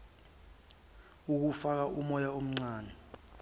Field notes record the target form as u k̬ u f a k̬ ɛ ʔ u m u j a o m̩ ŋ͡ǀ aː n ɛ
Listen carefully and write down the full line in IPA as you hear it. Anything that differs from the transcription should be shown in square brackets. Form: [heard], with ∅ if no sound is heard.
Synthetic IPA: u k̬ u f a k̬ [a] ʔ u m [ɔ] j a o m̩ ŋ͡ǀ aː n ɛ